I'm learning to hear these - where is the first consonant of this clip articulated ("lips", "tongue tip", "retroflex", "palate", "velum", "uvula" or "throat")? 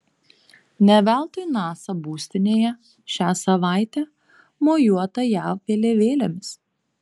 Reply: tongue tip